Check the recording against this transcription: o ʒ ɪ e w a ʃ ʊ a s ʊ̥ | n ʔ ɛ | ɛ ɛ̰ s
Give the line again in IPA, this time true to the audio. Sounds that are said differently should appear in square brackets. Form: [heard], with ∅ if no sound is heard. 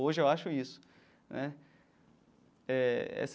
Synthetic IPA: o ʒ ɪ e w a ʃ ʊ [i] s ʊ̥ | n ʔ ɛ | ɛ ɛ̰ s